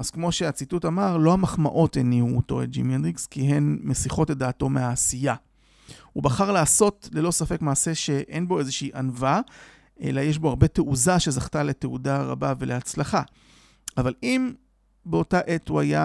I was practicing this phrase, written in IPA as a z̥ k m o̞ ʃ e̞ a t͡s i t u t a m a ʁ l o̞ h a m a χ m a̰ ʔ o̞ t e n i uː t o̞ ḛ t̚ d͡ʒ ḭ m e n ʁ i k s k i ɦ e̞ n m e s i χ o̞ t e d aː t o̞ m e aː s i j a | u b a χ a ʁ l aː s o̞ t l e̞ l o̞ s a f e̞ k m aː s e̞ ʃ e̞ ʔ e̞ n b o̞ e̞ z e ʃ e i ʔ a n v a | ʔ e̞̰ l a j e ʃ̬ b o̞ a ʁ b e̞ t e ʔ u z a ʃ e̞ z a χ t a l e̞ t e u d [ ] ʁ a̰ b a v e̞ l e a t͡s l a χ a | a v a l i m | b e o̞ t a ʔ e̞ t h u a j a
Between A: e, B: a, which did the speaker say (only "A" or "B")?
B